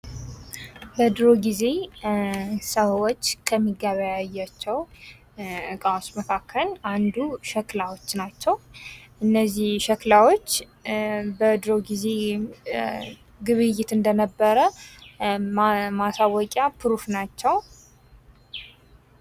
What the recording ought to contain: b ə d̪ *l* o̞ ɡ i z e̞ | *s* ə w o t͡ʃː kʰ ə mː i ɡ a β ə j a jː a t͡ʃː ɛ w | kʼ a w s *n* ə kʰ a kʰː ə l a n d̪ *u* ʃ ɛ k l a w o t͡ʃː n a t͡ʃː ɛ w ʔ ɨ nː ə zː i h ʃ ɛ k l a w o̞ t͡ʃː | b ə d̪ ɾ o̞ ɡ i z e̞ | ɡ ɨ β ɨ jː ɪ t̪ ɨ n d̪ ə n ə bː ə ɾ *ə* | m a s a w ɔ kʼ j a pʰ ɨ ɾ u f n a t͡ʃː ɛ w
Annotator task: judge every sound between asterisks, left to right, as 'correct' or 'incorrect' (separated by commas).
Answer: incorrect, correct, incorrect, correct, correct